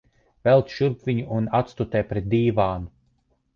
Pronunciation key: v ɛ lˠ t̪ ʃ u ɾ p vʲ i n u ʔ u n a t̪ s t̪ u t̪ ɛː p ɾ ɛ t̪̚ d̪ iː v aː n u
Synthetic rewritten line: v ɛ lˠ t̪ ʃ u ɾ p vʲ i ɲ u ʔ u n a t̪ s t̪ u t̪ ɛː p ɾ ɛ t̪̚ d̪ iː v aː n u